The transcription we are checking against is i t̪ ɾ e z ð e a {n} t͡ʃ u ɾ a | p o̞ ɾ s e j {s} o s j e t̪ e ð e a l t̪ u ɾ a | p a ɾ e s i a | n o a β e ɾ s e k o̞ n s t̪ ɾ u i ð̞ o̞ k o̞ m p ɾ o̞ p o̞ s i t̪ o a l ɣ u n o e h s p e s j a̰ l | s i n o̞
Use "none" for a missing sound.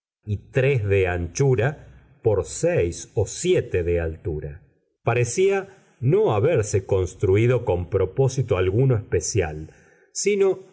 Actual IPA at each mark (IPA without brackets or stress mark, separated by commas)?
n, s